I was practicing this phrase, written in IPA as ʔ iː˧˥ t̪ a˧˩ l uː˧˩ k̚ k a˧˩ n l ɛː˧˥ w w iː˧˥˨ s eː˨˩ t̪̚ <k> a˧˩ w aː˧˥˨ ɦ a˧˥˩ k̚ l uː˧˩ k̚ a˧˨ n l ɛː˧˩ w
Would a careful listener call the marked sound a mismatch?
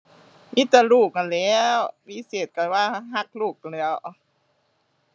no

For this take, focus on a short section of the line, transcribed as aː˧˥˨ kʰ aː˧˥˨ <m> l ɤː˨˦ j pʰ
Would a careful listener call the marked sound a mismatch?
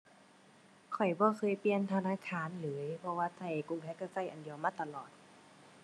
yes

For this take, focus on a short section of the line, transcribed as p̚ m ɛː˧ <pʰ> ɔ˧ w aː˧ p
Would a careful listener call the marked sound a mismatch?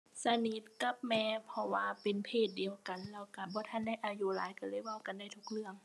no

